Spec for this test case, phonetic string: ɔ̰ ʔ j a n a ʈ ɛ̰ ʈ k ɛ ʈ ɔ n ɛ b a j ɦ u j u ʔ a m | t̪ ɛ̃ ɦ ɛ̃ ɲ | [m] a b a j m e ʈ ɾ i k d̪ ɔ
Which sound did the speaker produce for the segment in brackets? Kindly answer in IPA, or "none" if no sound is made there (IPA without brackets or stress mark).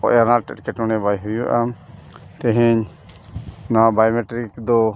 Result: n